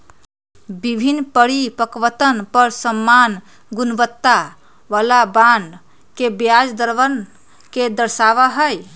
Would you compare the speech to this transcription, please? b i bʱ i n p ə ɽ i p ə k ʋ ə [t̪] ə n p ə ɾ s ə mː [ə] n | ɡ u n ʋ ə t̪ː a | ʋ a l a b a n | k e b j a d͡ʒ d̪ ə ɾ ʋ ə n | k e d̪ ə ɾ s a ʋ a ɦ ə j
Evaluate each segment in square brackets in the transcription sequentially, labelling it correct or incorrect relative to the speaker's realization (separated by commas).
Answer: correct, incorrect